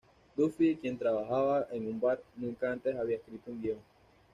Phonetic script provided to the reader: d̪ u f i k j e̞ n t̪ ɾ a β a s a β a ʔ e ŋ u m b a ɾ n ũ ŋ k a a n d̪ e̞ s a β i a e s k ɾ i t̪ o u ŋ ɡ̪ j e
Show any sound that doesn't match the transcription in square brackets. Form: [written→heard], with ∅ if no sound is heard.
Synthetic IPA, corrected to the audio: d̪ u f i k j e̞ n t̪ ɾ a β a [s→x] a β a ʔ e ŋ u m b a ɾ n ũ ŋ k a a n [d̪→t̪] e̞ s a β i a e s k ɾ i t̪ o u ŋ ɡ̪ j e